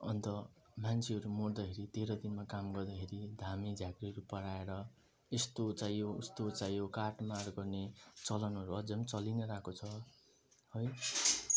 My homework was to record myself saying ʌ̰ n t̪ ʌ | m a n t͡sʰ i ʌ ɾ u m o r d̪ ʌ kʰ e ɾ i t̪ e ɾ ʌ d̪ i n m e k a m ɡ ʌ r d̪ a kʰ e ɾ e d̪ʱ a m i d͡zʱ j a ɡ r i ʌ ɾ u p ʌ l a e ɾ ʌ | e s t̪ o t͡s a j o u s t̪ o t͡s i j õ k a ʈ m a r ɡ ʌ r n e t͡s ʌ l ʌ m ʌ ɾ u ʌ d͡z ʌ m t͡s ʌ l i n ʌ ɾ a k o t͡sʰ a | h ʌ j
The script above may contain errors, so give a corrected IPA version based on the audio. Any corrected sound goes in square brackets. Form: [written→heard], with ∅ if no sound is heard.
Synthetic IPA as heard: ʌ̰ n t̪ ʌ | m a n t͡sʰ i ʌ ɾ u m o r d̪ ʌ kʰ e ɾ i t̪ e ɾ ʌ d̪ i n m [e→a] k a m ɡ ʌ r d̪ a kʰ e ɾ [e→i] d̪ʱ a m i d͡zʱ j a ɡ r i ʌ ɾ u p ʌ [l→ɽ] a e ɾ ʌ | e s t̪ o t͡s a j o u s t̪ o t͡s [i→a] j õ k a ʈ m a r ɡ ʌ r n e t͡s ʌ l ʌ [m→n] ʌ ɾ u ʌ d͡z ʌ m t͡s ʌ l i n ʌ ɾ a k o t͡sʰ [a→ʌ] | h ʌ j

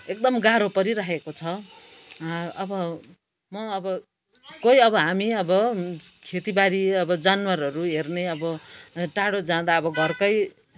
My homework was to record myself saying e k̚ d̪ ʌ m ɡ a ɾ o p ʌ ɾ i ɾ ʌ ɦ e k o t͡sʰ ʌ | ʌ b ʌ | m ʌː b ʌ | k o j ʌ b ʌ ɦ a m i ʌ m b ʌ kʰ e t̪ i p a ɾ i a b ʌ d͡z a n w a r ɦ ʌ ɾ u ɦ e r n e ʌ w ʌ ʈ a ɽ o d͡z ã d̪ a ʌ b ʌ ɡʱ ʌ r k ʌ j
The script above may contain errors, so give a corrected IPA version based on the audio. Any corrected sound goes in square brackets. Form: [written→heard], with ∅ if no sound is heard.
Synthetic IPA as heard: e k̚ d̪ ʌ m ɡ a ɾ o p ʌ ɾ i ɾ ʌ ɦ e k o t͡sʰ ʌ | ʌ b ʌ | m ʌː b ʌ | k o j ʌ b ʌ ɦ a m i ʌ [m→∅] b ʌ kʰ e t̪ i [p→b] a ɾ i [a→ʌ] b ʌ d͡z a n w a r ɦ ʌ ɾ u ɦ e r n e ʌ [w→b] ʌ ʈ a ɽ o d͡z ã d̪ a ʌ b ʌ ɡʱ ʌ r k ʌ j

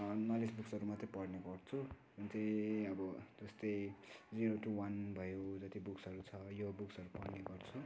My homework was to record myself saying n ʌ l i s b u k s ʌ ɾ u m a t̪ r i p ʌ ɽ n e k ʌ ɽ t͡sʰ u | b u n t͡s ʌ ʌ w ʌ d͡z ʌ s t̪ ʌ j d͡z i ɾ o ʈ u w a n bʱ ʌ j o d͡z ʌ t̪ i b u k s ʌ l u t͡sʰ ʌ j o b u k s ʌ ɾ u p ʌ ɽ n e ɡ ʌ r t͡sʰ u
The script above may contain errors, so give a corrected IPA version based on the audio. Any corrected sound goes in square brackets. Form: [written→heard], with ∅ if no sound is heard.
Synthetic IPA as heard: n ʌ l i s b u k s ʌ ɾ u m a t̪ r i p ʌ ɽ n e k ʌ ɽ t͡sʰ u | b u n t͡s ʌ ʌ [w→b] ʌ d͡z ʌ s t̪ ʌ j d͡z i ɾ o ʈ u w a n bʱ ʌ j o d͡z ʌ t̪ i b u k s ʌ [l→ɾ] u t͡sʰ ʌ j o b u k s ʌ ɾ u p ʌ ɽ n e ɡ ʌ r t͡sʰ u

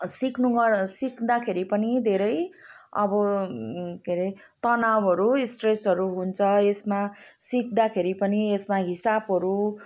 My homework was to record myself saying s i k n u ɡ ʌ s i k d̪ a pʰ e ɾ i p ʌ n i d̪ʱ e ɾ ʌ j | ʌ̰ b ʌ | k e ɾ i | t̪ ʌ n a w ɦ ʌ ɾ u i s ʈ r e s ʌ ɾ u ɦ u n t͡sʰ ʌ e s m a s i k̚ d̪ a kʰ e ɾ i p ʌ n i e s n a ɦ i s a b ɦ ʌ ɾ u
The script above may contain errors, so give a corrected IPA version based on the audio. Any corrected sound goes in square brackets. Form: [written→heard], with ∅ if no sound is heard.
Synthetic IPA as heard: s i k n u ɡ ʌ s i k d̪ a [pʰ→kʰ] e ɾ i p ʌ n i d̪ʱ e ɾ ʌ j | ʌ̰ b ʌ | k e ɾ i | t̪ ʌ n a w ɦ ʌ ɾ u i s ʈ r e s ʌ ɾ u ɦ u n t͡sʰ ʌ e s m a s i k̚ d̪ a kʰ e ɾ i p ʌ n i e s [n→m] a ɦ i s a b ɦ ʌ ɾ u

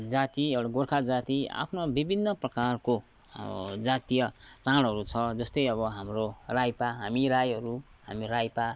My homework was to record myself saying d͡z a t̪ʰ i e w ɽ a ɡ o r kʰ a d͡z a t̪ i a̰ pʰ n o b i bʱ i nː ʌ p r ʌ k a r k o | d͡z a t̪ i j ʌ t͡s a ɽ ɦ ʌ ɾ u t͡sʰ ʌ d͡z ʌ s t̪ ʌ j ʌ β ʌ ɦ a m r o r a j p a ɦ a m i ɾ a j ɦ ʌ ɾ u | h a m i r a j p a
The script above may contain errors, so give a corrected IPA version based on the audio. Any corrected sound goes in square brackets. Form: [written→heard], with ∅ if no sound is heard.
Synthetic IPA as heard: d͡z a [t̪ʰ→t̪] i e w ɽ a ɡ o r kʰ a d͡z a t̪ i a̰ pʰ n o b i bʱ i nː ʌ p r ʌ k a r k o | d͡z a t̪ i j ʌ t͡s a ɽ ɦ ʌ ɾ u t͡sʰ ʌ d͡z ʌ s t̪ ʌ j ʌ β ʌ ɦ a m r o r a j p a ɦ a m i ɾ a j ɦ ʌ ɾ u | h a m i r a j p a

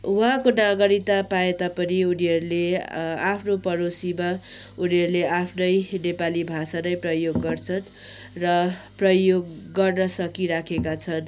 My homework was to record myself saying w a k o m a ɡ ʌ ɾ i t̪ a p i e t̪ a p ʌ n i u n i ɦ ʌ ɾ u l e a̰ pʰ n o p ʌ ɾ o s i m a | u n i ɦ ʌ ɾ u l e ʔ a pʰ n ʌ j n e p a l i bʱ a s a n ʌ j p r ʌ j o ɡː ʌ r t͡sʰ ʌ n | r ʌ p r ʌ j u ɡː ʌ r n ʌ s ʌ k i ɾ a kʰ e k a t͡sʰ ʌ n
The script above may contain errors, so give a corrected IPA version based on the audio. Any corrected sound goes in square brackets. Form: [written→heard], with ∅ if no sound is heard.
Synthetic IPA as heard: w a k o [m→n] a ɡ ʌ ɾ i t̪ a p [i→a] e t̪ a p ʌ n i u n i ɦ ʌ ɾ u l e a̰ pʰ n o p ʌ ɾ o s i m a | u n i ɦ ʌ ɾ u l e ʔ a pʰ n ʌ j n e p a l i bʱ a s a n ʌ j p r ʌ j o ɡː ʌ r t͡sʰ ʌ n | r ʌ p r ʌ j [u→o] ɡː ʌ r n ʌ s ʌ k i ɾ a kʰ e k a t͡sʰ ʌ n

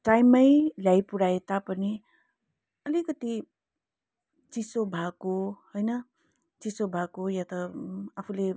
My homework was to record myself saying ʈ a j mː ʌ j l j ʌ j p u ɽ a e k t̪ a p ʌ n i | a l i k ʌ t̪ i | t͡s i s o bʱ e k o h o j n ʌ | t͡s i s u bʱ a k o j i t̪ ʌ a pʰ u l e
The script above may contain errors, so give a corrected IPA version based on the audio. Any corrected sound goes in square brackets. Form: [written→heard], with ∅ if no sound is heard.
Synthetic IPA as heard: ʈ a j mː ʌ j l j [ʌ→a] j p u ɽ a e [k→∅] t̪ a p ʌ n i | [a→ʌ] l i k ʌ t̪ i | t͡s i s o bʱ [e→a] k o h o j n ʌ | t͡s i s [u→o] bʱ a k o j [i→a] t̪ ʌ a pʰ u l e

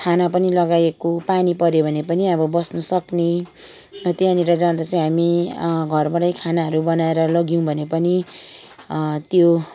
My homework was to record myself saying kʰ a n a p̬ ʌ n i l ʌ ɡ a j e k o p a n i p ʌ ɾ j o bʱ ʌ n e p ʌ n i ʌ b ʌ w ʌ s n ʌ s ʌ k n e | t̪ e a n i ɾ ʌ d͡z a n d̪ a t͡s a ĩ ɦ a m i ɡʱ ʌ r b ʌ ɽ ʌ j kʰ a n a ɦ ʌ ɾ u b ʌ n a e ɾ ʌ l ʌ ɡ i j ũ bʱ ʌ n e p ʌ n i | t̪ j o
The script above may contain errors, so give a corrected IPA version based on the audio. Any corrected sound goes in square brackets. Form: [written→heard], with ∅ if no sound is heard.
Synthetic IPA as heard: kʰ a n a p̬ ʌ n i l ʌ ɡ a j e k o p a n i p ʌ ɾ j o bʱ ʌ n e p ʌ n i ʌ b ʌ [w→b] ʌ s n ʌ s ʌ k n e | t̪ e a n i ɾ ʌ d͡z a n d̪ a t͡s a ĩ ɦ a m i ɡʱ ʌ r b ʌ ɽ ʌ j kʰ a n a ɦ ʌ ɾ u b ʌ n a e ɾ ʌ l ʌ ɡ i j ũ bʱ ʌ n e p ʌ n i | t̪ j o

